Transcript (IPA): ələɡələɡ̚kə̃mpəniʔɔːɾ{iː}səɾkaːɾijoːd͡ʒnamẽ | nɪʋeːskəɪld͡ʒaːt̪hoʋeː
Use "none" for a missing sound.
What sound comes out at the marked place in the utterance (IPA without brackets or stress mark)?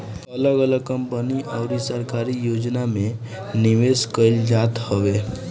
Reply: i